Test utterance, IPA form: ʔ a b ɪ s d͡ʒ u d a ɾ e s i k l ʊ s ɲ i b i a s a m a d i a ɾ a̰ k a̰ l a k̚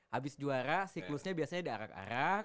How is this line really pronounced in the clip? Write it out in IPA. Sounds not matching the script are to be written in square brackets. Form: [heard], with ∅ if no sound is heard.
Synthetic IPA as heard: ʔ a b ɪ s d͡ʒ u [∅] a ɾ [a] s i k l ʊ s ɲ [a] b i a s a [ɲ] a d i a ɾ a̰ k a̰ [ɾ] a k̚